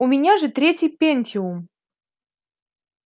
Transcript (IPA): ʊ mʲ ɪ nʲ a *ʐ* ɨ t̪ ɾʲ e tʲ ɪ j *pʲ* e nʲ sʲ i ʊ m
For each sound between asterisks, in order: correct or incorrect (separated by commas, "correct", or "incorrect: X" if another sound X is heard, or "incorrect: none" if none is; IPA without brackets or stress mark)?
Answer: correct, correct